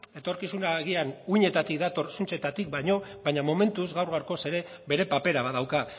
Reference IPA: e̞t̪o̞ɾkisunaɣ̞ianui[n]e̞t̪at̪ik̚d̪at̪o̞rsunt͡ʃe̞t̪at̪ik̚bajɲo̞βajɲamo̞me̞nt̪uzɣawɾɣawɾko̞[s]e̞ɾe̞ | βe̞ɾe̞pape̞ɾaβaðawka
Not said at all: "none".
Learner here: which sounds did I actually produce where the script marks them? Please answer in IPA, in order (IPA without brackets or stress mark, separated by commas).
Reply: ɲ, s